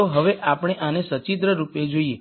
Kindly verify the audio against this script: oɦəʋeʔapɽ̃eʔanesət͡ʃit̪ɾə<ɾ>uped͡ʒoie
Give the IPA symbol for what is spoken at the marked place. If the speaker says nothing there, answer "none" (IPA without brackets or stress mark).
ɾ